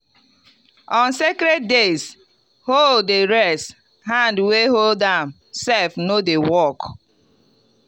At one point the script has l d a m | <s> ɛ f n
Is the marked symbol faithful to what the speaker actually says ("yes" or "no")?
yes